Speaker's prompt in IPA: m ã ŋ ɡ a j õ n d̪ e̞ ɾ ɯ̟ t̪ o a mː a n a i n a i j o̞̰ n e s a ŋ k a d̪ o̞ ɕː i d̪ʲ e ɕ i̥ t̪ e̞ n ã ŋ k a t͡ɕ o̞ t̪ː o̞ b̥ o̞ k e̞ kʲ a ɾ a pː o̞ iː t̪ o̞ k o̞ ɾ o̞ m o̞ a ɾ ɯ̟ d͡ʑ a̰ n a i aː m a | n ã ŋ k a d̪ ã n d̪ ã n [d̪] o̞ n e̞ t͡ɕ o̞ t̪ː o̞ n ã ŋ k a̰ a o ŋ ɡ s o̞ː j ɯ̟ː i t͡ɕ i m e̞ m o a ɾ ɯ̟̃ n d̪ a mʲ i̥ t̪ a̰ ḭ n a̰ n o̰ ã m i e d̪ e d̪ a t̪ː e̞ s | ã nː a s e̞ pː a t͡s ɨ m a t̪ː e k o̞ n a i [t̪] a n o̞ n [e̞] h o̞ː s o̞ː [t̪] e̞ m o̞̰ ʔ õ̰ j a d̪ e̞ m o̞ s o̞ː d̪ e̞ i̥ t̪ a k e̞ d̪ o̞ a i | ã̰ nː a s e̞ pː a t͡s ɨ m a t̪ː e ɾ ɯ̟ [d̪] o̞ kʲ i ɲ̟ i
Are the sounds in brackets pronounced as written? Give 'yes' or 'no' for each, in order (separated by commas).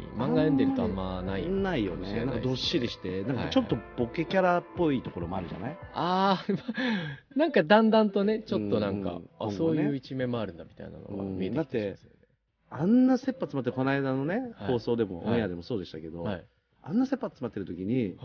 no, no, yes, no, no